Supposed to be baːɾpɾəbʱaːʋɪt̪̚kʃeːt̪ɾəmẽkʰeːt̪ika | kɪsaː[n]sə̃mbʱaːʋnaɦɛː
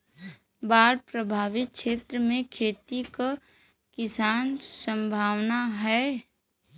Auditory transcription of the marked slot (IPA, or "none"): n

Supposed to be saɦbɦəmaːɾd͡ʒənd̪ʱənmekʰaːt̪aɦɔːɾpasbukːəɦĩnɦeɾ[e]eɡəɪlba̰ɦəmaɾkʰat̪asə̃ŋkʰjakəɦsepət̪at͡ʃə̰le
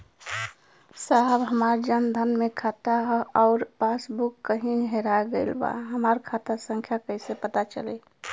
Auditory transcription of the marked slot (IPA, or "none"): a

